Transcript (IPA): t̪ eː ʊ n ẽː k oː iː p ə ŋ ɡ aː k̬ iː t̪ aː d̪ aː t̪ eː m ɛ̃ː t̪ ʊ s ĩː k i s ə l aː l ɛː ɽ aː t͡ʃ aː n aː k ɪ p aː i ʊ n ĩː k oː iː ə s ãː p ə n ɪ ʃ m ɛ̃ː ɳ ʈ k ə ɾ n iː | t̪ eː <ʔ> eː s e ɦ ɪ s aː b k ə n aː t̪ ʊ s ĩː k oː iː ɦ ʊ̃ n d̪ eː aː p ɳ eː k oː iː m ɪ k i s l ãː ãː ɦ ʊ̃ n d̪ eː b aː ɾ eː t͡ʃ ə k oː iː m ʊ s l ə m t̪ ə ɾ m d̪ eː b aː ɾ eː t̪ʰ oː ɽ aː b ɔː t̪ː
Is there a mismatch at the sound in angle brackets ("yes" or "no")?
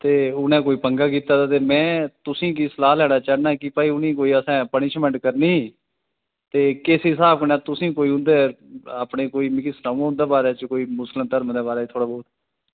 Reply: yes